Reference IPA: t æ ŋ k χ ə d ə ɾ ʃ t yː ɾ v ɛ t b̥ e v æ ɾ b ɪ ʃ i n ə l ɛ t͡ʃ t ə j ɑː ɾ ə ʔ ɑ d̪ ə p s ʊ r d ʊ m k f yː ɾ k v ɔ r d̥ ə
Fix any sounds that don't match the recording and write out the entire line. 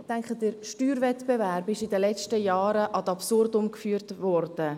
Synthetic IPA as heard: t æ ŋ k χ ə d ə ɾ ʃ t yː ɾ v ɛ t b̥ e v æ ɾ b ɪ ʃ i d ə l ɛ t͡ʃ t ə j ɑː ɾ ə ʔ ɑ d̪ ɑ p s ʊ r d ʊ m k f yː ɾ t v ɔ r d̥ ə